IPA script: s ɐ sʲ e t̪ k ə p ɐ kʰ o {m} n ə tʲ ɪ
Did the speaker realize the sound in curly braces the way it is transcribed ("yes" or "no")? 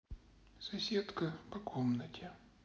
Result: yes